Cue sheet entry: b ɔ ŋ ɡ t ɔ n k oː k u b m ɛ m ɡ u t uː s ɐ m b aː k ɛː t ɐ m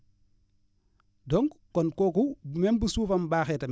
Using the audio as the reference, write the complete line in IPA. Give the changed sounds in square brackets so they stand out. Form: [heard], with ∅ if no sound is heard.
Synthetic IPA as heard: [d] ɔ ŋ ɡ [k] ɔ n k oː k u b m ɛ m [b] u [s] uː [f] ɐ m b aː [x] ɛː t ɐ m